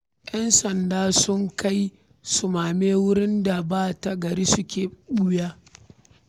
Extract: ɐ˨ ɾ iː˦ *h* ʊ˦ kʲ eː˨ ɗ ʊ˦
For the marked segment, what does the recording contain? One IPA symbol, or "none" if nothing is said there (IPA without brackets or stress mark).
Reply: s